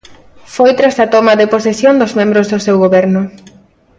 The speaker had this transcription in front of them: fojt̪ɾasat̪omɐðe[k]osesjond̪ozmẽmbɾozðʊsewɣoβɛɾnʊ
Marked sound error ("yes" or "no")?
yes